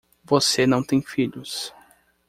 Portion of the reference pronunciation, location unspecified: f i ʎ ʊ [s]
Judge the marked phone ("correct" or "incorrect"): correct